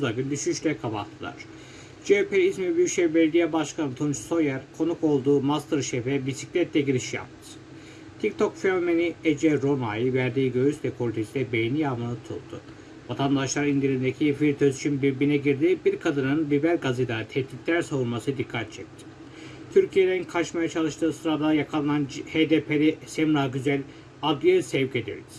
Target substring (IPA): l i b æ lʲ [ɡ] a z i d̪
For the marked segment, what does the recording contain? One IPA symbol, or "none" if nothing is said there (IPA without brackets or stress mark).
ɡ